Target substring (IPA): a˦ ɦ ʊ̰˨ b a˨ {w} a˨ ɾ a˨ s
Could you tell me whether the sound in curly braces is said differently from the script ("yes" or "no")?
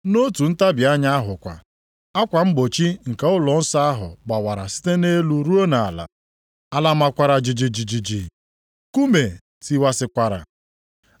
no